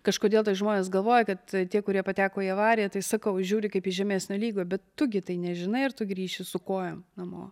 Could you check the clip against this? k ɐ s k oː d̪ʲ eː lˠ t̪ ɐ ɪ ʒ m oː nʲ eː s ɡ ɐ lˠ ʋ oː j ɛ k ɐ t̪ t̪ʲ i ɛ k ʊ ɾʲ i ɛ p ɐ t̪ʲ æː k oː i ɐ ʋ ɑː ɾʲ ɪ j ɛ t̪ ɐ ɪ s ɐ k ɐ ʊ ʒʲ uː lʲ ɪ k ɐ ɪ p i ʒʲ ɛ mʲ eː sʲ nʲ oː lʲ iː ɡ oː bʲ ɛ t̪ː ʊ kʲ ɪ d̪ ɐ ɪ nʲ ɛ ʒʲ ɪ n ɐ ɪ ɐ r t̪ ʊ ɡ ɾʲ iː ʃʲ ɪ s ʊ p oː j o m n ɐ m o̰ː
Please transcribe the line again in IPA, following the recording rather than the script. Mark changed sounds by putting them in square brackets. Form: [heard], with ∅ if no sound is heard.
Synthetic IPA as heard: k ɐ [ʃ] k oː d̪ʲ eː lˠ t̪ ɐ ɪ ʒ m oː nʲ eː s ɡ ɐ lˠ ʋ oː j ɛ k ɐ t̪ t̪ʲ i ɛ k ʊ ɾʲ i ɛ p ɐ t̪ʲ æː k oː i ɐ ʋ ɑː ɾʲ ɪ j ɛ t̪ ɐ ɪ s ɐ k ɐ ʊ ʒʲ uː [ɾʲ] ɪ k ɐ ɪ p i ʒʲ ɛ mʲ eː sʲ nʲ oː lʲ iː ɡ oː bʲ ɛ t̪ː ʊ [ɡʲ] ɪ [t̪] ɐ ɪ nʲ ɛ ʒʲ ɪ n ɐ ɪ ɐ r t̪ ʊ ɡ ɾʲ iː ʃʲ ɪ s ʊ [k] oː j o m n ɐ m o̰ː